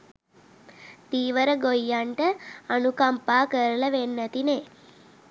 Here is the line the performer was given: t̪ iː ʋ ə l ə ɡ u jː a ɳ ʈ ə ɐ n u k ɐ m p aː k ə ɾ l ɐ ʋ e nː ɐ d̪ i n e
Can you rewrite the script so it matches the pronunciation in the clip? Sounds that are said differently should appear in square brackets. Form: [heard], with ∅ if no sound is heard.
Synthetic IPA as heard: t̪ iː ʋ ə [ɾ] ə ɡ [o] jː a ɳ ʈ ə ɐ n u k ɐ m p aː k ə ɾ l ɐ ʋ e nː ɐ [t̪] i n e